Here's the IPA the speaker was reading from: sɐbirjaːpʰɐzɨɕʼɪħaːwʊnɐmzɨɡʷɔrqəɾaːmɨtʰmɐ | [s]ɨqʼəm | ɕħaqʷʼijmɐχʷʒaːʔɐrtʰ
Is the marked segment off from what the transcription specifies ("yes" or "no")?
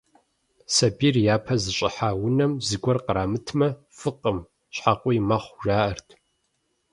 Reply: yes